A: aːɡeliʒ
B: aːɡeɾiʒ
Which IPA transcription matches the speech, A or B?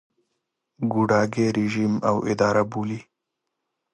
B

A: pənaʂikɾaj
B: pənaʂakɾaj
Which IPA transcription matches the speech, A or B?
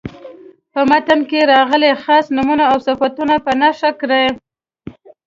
B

